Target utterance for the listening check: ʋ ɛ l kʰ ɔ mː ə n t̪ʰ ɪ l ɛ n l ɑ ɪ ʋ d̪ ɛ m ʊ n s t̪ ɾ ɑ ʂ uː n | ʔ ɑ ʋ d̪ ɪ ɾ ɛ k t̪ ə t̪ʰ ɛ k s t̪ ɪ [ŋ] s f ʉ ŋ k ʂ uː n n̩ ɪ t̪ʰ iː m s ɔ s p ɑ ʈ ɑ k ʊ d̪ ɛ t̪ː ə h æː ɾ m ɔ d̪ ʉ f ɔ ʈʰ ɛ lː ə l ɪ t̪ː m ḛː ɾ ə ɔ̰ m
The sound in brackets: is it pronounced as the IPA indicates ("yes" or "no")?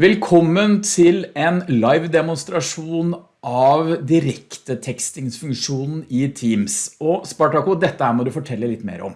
yes